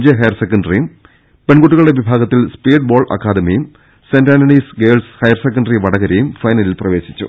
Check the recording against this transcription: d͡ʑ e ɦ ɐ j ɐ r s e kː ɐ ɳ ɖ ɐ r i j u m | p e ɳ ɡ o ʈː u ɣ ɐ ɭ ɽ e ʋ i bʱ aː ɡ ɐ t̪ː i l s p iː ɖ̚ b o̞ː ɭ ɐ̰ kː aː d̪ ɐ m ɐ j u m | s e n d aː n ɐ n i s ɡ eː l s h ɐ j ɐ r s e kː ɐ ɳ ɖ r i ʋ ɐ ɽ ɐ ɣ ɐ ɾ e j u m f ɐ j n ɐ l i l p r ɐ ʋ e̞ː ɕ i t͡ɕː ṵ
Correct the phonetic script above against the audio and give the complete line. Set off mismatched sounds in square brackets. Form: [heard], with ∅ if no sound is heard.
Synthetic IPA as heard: d͡ʑ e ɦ ɐ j ɐ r s e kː ɐ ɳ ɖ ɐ r i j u m | p e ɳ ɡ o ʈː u ɣ ɐ ɭ ɽ e ʋ i bʱ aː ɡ ɐ t̪ː i l s p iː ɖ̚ b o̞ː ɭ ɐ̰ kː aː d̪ ɐ m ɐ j u m | s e n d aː n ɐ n i s ɡ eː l s h ɐ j ɐ r s e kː ɐ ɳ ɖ r i ʋ ɐ ɽ ɐ ɣ ɐ ɾ e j u m f ɐ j n ɐ l i l p r ɐ ʋ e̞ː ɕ i t͡ɕː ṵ

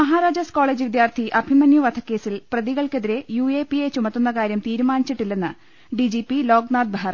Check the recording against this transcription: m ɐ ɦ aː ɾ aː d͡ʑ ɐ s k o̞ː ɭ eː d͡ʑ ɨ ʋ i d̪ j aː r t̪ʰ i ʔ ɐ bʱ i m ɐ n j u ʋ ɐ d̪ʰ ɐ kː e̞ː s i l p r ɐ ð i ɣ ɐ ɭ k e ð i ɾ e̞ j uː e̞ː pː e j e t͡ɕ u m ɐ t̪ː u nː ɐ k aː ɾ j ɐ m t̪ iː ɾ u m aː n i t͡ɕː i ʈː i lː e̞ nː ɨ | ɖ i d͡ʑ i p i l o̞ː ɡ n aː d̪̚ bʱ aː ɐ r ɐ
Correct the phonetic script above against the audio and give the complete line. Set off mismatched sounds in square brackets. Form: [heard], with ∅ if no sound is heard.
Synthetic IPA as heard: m ɐ ɦ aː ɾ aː d͡ʑ ɐ s k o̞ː ɭ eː d͡ʑ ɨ ʋ i d̪ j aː r t̪ʰ i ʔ ɐ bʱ i m ɐ n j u ʋ ɐ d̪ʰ ɐ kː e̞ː s i l p r ɐ ð i ɣ ɐ ɭ k e ð i ɾ e̞ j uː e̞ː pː [i] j e t͡ɕ u m ɐ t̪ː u nː ɐ k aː ɾ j ɐ m t̪ iː ɾ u m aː n i t͡ɕː i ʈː i lː e̞ nː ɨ | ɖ i d͡ʑ i p i l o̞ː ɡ n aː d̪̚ bʱ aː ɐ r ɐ

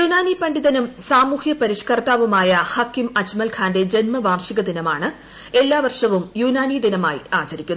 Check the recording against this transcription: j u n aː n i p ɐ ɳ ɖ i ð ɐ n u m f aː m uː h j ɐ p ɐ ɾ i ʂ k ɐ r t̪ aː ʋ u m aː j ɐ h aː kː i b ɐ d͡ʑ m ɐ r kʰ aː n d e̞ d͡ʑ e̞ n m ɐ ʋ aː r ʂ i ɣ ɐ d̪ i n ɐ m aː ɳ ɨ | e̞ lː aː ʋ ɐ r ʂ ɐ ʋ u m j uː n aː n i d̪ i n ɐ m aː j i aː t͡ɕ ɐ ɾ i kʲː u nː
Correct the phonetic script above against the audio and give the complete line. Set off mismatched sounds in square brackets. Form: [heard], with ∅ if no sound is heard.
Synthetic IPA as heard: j u n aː n i p ɐ ɳ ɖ i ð ɐ n u m [s] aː m uː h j ɐ p ɐ ɾ i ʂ k ɐ r t̪ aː ʋ u m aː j ɐ h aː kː i [m] ɐ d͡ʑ m ɐ [l] kʰ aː n d e̞ d͡ʑ e̞ n m ɐ ʋ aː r ʂ i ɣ ɐ d̪ i n ɐ m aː ɳ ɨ | e̞ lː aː ʋ ɐ r ʂ ɐ ʋ u m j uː n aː n i d̪ i n ɐ m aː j i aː t͡ɕ ɐ ɾ i kʲː u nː

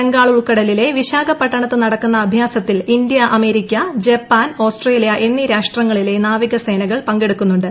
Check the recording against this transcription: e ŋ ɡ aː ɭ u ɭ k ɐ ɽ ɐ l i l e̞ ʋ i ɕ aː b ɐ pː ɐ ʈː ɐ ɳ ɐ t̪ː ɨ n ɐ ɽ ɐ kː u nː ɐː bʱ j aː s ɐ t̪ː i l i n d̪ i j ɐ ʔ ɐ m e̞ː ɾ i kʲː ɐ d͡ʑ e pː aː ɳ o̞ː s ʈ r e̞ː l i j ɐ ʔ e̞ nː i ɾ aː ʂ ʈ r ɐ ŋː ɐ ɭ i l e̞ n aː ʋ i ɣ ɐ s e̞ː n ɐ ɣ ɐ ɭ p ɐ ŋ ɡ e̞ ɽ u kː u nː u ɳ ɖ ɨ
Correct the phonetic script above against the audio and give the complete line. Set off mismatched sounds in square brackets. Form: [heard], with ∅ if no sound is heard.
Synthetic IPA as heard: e ŋ ɡ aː ɭ u ɭ k ɐ ɽ ɐ l i l e̞ ʋ i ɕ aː [ɡ] ɐ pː ɐ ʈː ɐ ɳ ɐ t̪ː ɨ n ɐ ɽ ɐ kː u nː ɐː bʱ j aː s ɐ t̪ː i l i n d̪ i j ɐ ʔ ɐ m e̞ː ɾ i kʲː ɐ d͡ʑ e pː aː [n] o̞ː s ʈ r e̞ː l i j ɐ ʔ e̞ nː i ɾ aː ʂ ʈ r ɐ ŋː ɐ ɭ i l e̞ n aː ʋ i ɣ ɐ s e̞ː n ɐ ɣ ɐ ɭ p ɐ ŋ ɡ e̞ ɽ u kː u nː u ɳ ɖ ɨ

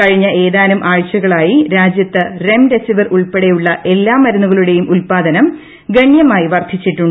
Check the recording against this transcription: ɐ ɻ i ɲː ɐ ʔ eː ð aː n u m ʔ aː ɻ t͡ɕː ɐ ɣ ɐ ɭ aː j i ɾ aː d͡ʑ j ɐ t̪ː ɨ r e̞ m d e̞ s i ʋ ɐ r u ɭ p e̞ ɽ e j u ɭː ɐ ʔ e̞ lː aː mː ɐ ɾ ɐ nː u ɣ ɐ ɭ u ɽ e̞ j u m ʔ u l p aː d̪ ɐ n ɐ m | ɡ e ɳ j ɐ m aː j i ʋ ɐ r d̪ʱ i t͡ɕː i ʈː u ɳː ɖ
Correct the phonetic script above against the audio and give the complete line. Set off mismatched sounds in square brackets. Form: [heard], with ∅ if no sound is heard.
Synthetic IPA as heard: ɐ ɻ i ɲː ɐ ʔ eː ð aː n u m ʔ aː ɻ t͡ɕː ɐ ɣ ɐ ɭ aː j i ɾ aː d͡ʑ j ɐ t̪ː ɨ r e̞ m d e̞ s i ʋ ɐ r u ɭ p e̞ ɽ e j u ɭː ɐ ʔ e̞ lː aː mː ɐ ɾ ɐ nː u ɣ ɐ ɭ u ɽ e̞ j u m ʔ u l p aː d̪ ɐ n ɐ m | ɡ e ɳ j ɐ m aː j i ʋ ɐ r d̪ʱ i t͡ɕː i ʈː u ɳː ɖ

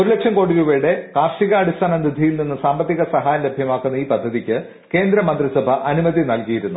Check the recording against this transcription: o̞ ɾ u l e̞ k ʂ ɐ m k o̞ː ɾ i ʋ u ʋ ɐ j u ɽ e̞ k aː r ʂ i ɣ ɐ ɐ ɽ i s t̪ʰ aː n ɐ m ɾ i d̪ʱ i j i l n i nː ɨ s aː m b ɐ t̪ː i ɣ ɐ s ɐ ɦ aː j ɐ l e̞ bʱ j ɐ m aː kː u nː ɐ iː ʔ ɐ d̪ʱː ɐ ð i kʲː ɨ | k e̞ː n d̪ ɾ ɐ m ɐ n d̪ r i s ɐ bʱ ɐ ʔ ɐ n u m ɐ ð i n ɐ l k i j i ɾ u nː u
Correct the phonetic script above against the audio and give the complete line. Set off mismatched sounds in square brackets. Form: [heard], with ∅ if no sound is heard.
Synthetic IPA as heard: o̞ ɾ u l e̞ k ʂ ɐ m k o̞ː [ɽ] i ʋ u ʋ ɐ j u ɽ e̞ k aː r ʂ i ɣ ɐ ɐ ɽ i s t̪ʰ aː n ɐ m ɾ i d̪ʱ i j i l n i nː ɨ s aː m b ɐ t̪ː i ɣ ɐ s ɐ ɦ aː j ɐ l e̞ bʱ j ɐ m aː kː u nː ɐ iː [p] ɐ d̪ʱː ɐ ð i kʲː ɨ | k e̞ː n d̪ ɾ ɐ m ɐ n d̪ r i s ɐ bʱ ɐ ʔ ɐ n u m ɐ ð i n ɐ l k i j i ɾ u nː u

